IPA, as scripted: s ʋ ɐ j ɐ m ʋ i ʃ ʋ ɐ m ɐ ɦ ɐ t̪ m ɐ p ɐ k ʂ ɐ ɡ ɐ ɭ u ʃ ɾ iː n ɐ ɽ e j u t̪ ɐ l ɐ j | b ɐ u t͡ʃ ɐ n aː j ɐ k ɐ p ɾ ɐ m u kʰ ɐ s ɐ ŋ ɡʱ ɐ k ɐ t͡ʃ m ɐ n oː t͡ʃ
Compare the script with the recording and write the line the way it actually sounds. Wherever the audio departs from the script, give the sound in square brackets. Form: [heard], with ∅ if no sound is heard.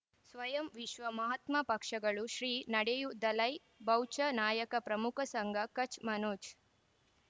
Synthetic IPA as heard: s ʋ ɐ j ɐ m ʋ i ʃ ʋ ɐ m ɐ ɦ ɐ t̪ m ɐ p ɐ k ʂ ɐ ɡ ɐ ɭ u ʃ ɾ iː n ɐ ɽ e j u [d̪] ɐ l ɐ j | b ɐ [w] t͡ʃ ɐ n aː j ɐ k ɐ p ɾ ɐ m u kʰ ɐ s ɐ ŋ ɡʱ ɐ k ɐ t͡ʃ m ɐ n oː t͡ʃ